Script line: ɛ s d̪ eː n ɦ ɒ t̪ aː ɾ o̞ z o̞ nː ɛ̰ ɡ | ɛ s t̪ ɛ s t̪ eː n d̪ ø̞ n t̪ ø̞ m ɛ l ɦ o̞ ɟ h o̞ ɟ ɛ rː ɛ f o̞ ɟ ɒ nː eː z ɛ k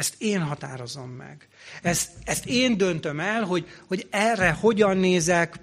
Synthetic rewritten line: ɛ s t̪ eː n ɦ ɒ t̪ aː ɾ o̞ z o̞ mː ɛ̰ ɡ | ɛ s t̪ ɛ s t̪ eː n d̪ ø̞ n t̪ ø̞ m ɛ l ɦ o̞ ɟ h o̞ ɟ ɛ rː ɛ h o̞ ɟ ɒ nː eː z ɛ k